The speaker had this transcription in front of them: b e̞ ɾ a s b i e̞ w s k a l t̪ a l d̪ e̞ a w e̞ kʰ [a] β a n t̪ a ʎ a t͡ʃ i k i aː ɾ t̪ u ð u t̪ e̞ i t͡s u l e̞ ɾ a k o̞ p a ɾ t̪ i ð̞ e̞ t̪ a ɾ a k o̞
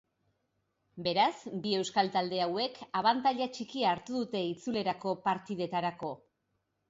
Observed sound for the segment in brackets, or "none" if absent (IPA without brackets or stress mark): a